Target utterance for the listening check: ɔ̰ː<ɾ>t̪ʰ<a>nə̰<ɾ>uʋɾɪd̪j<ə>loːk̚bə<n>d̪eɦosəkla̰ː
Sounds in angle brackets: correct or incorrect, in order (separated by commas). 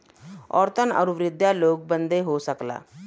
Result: correct, incorrect, correct, incorrect, correct